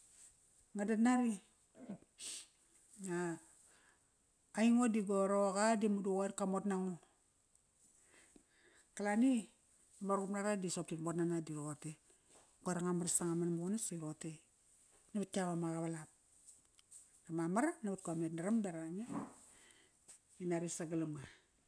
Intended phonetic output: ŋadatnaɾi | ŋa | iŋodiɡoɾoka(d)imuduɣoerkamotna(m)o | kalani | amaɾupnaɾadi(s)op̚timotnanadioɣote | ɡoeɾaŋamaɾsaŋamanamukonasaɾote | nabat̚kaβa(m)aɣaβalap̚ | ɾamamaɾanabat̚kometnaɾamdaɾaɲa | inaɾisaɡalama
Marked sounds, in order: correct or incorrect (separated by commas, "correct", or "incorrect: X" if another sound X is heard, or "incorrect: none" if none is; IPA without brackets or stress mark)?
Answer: correct, incorrect: ŋ, correct, correct